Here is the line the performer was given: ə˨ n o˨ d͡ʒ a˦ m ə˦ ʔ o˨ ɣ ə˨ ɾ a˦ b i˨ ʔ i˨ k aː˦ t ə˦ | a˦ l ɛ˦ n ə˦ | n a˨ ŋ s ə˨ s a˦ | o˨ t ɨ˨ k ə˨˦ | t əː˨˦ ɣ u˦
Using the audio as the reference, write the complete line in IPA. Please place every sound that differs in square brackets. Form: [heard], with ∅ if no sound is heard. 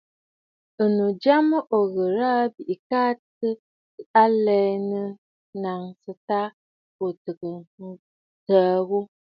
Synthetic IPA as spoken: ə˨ n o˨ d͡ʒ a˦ m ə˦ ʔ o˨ ɣ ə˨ ɾ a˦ b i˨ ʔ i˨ k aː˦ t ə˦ | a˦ l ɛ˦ n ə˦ | n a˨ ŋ s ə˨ [t] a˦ | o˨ t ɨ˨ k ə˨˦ | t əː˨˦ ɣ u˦